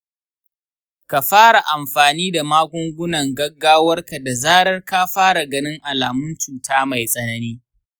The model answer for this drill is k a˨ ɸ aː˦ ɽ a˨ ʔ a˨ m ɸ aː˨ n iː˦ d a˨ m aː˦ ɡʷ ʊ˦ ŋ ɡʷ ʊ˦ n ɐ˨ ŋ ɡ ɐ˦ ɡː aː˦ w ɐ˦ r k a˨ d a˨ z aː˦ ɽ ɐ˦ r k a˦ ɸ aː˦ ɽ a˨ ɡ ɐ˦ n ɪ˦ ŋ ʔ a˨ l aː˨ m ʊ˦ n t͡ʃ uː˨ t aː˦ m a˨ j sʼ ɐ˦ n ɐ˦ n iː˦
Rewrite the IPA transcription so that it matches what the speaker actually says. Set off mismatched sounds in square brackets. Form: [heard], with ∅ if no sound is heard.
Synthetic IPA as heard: k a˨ ɸ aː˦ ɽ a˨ ʔ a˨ m ɸ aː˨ n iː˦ d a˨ m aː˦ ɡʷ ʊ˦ ŋ ɡʷ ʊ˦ n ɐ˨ ŋ ɡ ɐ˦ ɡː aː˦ w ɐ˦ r k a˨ d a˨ z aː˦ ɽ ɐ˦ r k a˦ ɸ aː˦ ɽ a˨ ɡ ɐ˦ n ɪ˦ ŋ ʔ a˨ l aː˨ m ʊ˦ n t͡ʃ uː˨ t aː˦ m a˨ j sʼ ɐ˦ n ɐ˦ n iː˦

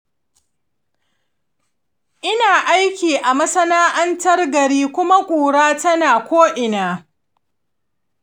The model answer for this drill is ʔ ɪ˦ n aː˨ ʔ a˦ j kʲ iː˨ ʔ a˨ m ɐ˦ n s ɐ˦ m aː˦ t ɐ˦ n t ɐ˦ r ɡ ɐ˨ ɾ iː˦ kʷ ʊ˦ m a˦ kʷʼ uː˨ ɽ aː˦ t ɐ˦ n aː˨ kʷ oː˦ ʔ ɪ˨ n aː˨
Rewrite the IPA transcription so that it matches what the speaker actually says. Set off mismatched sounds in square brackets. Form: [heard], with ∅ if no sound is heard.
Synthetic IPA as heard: ʔ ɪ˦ n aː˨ ʔ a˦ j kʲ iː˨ ʔ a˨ m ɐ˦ [∅] s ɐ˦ [n] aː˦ [ʔ] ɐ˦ n t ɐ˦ r ɡ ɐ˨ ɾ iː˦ kʷ ʊ˦ m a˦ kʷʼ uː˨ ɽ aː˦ t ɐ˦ n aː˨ kʷ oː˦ ʔ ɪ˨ n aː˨

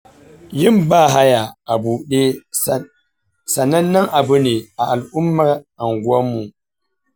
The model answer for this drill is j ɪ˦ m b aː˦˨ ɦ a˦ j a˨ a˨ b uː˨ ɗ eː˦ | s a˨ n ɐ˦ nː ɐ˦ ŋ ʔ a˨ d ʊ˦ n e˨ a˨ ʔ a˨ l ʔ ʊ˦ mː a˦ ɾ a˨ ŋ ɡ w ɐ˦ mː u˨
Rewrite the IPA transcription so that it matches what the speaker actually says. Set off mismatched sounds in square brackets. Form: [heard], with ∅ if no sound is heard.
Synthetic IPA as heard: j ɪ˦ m b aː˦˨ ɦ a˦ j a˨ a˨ b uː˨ ɗ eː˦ | s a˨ n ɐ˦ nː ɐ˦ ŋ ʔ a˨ [b] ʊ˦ n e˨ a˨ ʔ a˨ l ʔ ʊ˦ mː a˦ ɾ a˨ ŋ ɡ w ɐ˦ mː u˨

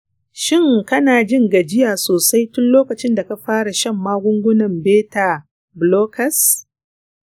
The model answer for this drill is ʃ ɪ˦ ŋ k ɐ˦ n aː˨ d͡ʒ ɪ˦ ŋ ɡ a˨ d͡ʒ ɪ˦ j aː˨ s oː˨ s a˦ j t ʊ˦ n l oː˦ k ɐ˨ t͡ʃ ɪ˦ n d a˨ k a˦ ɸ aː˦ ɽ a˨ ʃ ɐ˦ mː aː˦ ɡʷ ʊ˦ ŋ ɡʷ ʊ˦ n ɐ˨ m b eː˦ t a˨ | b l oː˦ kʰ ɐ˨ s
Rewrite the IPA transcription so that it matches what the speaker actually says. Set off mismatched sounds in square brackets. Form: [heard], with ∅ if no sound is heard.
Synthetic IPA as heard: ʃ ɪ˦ ŋ k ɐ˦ n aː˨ d͡ʒ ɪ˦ ŋ ɡ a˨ d͡ʒ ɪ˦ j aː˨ s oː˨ s a˦ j t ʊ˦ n l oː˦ k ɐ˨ t͡ʃ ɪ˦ n d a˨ k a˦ ɸ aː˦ ɽ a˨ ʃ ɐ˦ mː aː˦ ɡʷ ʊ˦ ŋ ɡʷ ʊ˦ n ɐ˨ m b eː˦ t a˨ | b l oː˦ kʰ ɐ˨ s

